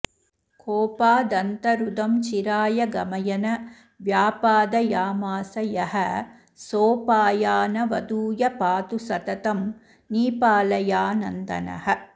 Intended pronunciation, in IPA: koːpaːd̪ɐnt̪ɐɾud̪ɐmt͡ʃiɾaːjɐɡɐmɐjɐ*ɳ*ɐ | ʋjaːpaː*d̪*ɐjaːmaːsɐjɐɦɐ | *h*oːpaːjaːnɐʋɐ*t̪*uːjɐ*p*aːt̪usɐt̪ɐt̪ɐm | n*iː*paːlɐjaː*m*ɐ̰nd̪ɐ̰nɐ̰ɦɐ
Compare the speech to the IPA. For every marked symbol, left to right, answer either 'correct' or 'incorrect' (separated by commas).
incorrect, correct, incorrect, incorrect, correct, correct, incorrect